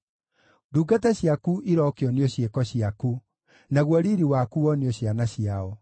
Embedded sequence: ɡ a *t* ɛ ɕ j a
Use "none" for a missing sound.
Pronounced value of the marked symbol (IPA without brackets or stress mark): t